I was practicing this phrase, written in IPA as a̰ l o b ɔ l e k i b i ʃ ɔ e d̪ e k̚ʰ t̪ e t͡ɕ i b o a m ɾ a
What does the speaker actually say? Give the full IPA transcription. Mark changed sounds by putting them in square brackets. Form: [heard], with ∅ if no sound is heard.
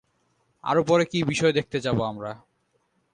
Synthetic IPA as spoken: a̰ [ɾ] o [p] ɔ [ɾ] e k i b i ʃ ɔ e d̪ e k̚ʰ t̪ e t͡ɕ [a] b o a m ɾ a

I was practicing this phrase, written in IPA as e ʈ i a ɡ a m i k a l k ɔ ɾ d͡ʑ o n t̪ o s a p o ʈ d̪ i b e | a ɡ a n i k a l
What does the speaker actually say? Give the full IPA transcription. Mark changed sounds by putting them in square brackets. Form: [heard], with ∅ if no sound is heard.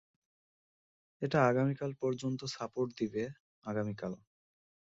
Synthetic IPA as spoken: e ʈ [a] a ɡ a m i k a l [p] ɔ ɾ d͡ʑ o n t̪ o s a p o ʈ d̪ i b e | a ɡ a [m] i k a l

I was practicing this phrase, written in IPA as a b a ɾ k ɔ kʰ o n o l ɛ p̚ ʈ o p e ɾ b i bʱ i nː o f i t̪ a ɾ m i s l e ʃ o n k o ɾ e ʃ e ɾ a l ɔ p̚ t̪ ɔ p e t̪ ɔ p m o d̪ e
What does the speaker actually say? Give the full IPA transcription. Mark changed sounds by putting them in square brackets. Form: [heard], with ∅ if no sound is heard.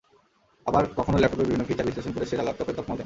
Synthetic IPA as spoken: a b a ɾ k ɔ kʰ o n o l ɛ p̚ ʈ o p e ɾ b i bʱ i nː o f i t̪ a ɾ [b] i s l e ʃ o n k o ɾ e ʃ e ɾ a l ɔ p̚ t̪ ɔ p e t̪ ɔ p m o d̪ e

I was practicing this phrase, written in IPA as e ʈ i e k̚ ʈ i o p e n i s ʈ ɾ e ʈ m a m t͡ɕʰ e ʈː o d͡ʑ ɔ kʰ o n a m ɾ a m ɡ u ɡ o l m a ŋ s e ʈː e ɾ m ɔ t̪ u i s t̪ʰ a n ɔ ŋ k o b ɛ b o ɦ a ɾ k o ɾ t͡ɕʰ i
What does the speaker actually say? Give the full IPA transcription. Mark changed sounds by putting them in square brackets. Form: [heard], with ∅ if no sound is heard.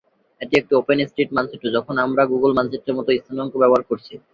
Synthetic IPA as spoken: e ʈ i e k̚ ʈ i o p e n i s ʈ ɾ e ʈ m a [n] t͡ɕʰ e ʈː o d͡ʑ ɔ kʰ o n a m ɾ a [∅] ɡ u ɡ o l m a [n] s e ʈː e ɾ m ɔ t̪ [o] i s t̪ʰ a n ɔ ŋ k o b ɛ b o ɦ a ɾ k o ɾ t͡ɕʰ i

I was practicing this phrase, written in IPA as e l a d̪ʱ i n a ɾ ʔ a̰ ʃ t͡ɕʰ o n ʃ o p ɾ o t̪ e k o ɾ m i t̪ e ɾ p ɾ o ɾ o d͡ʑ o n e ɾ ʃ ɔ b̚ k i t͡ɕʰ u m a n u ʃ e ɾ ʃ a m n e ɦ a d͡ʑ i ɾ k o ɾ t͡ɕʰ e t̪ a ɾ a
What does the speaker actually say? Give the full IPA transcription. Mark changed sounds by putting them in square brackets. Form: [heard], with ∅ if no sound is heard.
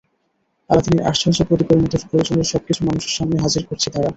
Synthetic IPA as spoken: [a] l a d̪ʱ i n [i] ɾ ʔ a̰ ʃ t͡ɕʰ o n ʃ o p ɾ o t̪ [i] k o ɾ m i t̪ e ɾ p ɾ o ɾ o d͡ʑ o n e ɾ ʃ ɔ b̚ k i t͡ɕʰ u m a n u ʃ e ɾ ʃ a m n e ɦ a d͡ʑ i ɾ k o ɾ t͡ɕʰ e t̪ a ɾ a

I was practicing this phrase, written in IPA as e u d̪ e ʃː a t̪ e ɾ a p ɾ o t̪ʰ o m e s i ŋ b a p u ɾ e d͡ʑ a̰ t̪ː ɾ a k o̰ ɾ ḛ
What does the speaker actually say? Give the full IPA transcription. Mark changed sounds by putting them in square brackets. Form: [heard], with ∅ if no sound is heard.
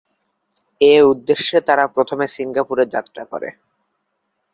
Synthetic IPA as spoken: e u [d̪ː] e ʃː [e] t̪ [a] ɾ a p ɾ o t̪ʰ o m e s i ŋ [ɡ] a p u ɾ e d͡ʑ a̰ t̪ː ɾ a k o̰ ɾ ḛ

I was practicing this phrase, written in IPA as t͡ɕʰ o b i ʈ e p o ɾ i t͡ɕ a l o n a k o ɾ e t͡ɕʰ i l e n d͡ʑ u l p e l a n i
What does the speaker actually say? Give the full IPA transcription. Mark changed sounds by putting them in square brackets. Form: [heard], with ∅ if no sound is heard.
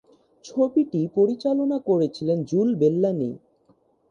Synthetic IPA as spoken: t͡ɕʰ o b i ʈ [i] p o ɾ i t͡ɕ a l o n a k o ɾ e t͡ɕʰ i l e n d͡ʑ u l [b] e [lː] a n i

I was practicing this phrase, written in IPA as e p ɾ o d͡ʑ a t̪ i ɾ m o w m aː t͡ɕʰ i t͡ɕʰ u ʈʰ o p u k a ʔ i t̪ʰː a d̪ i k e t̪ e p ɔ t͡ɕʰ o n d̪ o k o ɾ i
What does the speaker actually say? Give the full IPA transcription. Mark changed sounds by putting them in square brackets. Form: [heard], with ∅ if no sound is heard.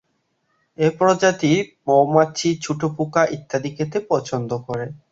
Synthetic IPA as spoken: e p ɾ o d͡ʑ a t̪ i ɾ m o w m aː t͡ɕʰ i t͡ɕʰ u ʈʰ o p u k a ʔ i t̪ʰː a d̪ i k e t̪ e p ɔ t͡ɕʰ o n d̪ o k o ɾ [e]

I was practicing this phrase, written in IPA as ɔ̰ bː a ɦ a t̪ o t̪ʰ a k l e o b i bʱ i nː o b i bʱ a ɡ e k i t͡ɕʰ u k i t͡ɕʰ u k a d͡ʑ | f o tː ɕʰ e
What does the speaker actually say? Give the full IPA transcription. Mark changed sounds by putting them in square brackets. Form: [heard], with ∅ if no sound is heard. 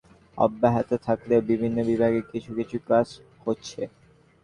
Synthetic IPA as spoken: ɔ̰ bː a ɦ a t̪ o t̪ʰ a k l e o b i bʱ i nː o b i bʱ a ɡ e k i t͡ɕʰ u k i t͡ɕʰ u k a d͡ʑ | [h] o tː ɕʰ e

